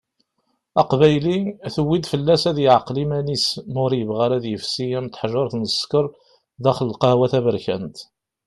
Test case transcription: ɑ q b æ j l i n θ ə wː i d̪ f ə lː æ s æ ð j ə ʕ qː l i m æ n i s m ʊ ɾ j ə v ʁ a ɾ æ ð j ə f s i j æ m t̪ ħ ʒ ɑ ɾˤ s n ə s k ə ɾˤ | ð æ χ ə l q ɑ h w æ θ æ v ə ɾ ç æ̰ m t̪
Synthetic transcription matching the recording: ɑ q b æ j l i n θ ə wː i d̪ f ə lː æ s æ ð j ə ʕ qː l i m æ n i s m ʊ ɾ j ə v ʁ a ɾ æ ð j ə f s i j æ m t̪ ħ ʒ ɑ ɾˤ θ n ə s k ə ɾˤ | ð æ χ ə l q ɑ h w æ θ æ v ə ɾ ç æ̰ n t̪

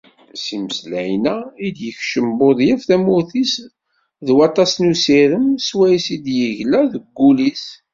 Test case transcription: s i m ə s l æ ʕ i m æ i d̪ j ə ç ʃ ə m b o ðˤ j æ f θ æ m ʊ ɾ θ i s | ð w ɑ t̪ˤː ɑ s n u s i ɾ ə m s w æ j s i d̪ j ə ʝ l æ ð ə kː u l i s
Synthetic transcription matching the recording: s i m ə s l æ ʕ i n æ i d̪ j ə ç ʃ ə m b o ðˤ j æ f θ æ m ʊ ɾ θ i s | ð w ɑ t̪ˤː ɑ s n u s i ɾ ə m s w æ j s i d̪ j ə ʝ l æ ð ə ɡː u l i s

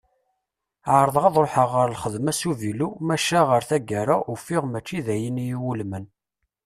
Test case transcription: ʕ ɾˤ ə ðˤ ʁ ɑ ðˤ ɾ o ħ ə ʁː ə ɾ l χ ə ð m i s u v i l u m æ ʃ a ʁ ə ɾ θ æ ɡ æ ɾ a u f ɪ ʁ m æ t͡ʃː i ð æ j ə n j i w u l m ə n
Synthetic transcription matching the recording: ʕ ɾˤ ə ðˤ ʁ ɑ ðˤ ɾ o ħ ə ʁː ə ɾ l χ ə ð m æ s u v i l u m æ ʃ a ʁ ə ɾ θ æ ɡ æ ɾ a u f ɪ ʁ m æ t͡ʃː i ð æ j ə n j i w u l m ə n

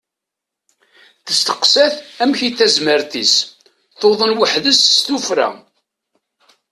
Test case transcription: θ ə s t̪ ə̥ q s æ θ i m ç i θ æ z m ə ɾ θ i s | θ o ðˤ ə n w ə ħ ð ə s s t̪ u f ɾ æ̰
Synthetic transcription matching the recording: θ ə s t̪ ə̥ q s æ θ æ m ç i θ æ z m ə ɾ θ i s | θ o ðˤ ə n w ə ħ ð ə s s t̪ u f ɾ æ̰

